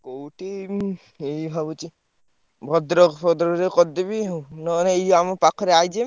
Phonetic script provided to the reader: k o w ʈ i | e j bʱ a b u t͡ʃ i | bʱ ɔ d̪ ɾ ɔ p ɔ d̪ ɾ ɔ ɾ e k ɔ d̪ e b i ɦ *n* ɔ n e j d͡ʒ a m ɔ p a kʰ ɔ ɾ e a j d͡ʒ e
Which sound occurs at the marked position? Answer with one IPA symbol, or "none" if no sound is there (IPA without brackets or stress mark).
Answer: n